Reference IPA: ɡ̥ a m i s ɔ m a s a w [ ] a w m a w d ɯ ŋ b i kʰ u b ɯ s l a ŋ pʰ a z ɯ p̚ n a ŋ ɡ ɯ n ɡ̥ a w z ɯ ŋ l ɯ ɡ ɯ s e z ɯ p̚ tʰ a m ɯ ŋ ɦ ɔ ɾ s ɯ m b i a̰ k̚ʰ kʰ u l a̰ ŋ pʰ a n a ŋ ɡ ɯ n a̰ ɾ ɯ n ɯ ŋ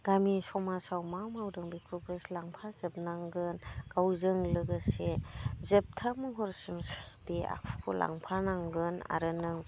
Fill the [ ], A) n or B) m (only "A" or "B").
B